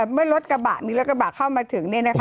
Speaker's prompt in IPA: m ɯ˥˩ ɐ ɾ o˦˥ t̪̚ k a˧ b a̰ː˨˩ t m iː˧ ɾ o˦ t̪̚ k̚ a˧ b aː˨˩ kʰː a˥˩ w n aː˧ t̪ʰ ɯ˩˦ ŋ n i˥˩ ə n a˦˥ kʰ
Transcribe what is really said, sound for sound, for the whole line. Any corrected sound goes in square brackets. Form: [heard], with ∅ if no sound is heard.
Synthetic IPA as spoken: m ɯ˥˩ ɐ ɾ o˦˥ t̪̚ k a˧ b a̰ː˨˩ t m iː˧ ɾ o˦ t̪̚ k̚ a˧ b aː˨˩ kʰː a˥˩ w [m] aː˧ t̪ʰ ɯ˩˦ ŋ n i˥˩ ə n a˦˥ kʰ